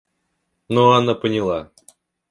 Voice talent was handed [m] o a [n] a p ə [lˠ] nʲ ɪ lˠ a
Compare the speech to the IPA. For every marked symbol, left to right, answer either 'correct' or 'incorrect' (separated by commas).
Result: incorrect, correct, incorrect